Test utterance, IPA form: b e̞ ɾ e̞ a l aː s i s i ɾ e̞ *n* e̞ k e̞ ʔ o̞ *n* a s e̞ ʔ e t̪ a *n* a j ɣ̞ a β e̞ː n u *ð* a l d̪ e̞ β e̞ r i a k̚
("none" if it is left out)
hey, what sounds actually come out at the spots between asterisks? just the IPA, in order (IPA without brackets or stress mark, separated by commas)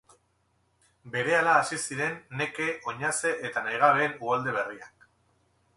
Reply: nː, ɲ, n, ɣ